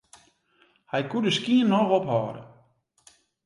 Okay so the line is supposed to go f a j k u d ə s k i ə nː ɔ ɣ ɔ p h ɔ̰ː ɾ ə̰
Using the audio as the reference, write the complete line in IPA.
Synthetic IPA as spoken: h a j k u d ə s k i ə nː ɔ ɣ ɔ p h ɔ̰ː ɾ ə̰